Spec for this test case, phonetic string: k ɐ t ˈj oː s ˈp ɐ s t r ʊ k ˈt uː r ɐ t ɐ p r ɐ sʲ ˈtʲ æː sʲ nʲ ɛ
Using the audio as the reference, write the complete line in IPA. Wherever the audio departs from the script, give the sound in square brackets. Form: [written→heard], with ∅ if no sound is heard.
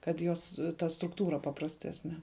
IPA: k ɐ t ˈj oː s [ˈp→ˈt] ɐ s t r ʊ k ˈt uː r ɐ [t→p] ɐ p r ɐ sʲ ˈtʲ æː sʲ nʲ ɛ